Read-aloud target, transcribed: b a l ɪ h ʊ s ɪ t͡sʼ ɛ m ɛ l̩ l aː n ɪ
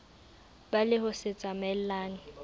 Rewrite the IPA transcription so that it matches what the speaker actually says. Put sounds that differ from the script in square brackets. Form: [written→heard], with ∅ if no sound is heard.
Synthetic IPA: b a l ɪ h ʊ s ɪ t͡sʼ [ɛ→a] m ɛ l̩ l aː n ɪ